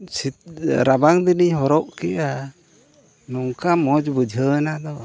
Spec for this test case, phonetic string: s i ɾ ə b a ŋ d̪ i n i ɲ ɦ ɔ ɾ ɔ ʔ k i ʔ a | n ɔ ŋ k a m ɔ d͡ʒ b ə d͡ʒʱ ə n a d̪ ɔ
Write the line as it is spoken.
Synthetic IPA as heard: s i ɾ a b a ŋ d̪ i n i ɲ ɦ ɔ ɾ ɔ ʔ k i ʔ a | n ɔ ŋ k a m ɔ d͡ʒ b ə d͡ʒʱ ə n a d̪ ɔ